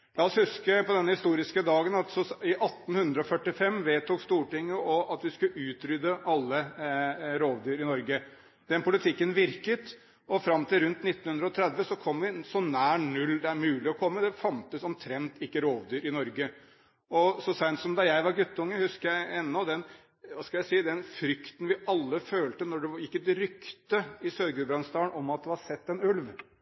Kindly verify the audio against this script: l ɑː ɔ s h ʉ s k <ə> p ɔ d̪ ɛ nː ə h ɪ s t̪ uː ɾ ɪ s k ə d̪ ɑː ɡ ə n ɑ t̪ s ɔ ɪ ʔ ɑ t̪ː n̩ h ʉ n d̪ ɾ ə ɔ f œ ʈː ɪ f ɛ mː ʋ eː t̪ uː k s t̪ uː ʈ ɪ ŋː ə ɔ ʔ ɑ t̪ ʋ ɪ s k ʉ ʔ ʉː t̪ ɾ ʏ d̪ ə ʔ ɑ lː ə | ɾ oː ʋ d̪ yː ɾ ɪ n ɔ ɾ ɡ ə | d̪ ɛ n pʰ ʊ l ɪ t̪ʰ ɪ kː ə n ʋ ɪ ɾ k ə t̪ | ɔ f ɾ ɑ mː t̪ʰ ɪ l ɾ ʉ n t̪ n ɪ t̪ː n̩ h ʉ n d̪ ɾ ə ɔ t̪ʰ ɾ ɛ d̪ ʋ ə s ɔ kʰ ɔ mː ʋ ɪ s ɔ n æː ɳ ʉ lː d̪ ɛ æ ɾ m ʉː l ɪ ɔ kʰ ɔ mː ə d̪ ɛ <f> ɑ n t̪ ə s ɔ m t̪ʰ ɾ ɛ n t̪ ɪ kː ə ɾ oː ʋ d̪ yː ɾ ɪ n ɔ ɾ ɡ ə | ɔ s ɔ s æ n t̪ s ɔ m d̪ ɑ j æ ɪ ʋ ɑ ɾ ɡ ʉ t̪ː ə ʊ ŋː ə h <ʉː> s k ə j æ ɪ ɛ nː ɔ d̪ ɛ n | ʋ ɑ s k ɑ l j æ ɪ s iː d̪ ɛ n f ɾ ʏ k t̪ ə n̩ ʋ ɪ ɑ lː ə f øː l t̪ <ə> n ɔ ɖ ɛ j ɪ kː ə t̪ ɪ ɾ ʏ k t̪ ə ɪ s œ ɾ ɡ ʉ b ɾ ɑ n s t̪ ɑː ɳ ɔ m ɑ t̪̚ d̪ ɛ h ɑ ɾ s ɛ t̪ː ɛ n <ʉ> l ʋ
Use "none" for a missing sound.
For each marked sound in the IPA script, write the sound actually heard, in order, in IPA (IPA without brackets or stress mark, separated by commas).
ə, f, ʉ, ə, ʉ